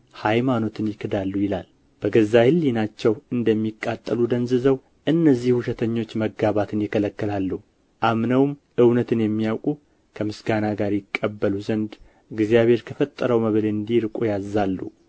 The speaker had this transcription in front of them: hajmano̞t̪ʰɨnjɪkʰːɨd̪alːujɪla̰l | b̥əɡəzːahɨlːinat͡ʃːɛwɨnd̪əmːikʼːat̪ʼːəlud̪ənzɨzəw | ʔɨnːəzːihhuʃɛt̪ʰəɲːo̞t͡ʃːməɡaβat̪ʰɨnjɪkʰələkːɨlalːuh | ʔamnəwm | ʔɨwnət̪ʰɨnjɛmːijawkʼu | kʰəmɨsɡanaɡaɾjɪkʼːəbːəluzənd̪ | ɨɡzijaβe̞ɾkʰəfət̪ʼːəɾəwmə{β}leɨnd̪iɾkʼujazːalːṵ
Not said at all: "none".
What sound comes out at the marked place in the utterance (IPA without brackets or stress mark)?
β